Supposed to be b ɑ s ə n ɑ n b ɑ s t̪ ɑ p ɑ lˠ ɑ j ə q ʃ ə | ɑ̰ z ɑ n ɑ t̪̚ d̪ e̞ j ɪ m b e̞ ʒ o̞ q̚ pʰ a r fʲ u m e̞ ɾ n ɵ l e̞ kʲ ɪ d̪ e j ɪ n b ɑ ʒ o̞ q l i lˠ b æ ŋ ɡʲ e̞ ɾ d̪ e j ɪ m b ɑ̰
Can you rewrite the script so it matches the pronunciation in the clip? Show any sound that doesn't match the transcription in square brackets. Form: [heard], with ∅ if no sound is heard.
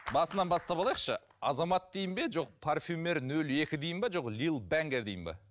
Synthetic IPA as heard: b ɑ s ə n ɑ n b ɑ s t̪ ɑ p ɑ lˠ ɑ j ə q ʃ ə | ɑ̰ z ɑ [m] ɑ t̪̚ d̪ e̞ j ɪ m b e̞ ʒ o̞ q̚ pʰ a r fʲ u m e̞ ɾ n ɵ l e̞ kʲ ɪ d̪ e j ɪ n b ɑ ʒ o̞ q l i lˠ b æ ŋ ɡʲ e̞ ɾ d̪ e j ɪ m b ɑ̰